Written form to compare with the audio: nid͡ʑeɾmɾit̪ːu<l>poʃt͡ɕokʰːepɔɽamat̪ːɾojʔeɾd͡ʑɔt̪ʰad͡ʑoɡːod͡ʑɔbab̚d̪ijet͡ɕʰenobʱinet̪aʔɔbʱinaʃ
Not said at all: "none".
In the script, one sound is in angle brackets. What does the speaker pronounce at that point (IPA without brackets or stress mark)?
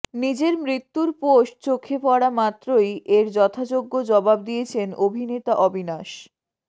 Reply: ɾ